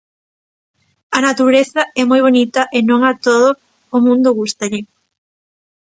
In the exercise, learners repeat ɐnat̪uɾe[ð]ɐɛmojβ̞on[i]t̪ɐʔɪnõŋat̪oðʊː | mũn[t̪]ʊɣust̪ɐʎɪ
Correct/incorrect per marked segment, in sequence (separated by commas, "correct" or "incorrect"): incorrect, correct, incorrect